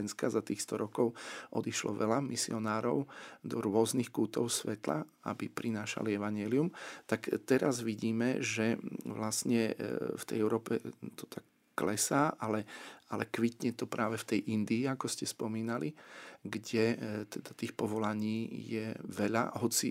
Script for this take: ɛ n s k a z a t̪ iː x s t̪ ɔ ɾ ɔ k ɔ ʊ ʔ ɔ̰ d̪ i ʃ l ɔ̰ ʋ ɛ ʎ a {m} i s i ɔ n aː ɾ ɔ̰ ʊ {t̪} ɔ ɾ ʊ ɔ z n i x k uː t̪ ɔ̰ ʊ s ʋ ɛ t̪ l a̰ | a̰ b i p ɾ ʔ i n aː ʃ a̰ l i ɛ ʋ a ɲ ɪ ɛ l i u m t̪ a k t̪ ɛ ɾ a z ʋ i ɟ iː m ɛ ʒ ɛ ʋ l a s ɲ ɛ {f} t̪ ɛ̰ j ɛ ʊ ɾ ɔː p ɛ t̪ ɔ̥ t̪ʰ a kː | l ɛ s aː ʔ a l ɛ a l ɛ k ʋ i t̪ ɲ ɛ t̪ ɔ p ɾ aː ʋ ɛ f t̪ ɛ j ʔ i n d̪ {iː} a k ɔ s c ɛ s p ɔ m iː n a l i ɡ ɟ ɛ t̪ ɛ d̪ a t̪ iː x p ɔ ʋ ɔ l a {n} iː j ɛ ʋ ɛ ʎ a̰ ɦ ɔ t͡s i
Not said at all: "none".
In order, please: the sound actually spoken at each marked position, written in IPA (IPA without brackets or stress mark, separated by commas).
m, d̪, f, iː, ɲ